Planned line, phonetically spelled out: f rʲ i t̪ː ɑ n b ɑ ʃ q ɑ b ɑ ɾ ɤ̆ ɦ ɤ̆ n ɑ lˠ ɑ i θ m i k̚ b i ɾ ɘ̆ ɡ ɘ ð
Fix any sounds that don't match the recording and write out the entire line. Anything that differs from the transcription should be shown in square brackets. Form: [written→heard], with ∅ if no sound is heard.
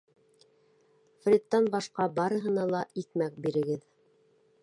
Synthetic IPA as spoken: f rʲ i t̪ː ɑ n b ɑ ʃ q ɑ b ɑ ɾ ɤ̆ ɦ ɤ̆ n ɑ lˠ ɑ i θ m [i→æ] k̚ b i ɾ ɘ̆ ɡ ɘ ð